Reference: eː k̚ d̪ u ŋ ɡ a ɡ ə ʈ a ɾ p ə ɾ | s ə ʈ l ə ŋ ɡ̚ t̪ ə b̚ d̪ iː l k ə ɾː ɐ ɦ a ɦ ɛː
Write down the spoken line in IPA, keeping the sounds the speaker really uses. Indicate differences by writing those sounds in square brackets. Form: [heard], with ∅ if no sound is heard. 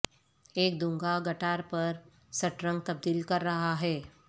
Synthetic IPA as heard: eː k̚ d̪ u ŋ ɡ a ɡ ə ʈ a ɾ p ə ɾ | s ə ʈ [ɾ] ə ŋ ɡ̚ t̪ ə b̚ d̪ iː l k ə ɾː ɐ ɦ a ɦ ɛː